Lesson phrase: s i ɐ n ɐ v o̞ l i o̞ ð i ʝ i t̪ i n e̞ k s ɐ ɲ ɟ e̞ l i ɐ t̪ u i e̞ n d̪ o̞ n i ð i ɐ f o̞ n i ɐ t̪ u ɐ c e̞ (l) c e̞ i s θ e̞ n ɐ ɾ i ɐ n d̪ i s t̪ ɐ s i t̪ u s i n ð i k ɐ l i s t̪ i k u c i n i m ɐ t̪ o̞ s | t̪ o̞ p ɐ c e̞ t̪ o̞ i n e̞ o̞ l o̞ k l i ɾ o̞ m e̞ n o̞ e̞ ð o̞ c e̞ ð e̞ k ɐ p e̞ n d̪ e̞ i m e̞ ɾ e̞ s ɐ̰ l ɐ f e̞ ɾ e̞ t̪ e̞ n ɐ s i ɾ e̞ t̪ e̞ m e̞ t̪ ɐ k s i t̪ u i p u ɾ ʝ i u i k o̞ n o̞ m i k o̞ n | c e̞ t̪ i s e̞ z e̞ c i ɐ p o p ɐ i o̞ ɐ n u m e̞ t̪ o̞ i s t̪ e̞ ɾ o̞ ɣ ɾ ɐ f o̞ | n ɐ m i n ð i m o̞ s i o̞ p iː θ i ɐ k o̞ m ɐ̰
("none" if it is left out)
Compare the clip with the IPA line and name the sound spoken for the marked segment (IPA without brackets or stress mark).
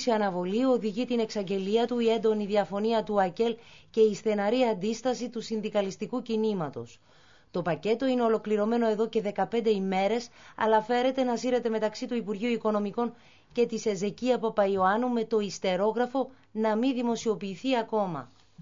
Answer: l